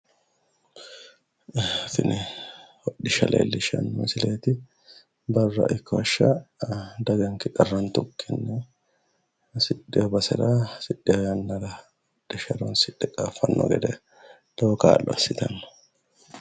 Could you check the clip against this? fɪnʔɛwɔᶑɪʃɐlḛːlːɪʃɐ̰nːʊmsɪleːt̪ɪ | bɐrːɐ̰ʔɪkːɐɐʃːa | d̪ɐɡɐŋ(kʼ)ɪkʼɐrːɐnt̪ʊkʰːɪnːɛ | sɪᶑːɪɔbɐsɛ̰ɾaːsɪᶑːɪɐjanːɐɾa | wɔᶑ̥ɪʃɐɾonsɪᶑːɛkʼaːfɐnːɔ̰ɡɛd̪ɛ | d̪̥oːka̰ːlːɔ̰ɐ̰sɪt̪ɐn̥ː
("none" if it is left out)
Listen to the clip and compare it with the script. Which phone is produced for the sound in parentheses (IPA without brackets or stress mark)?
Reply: k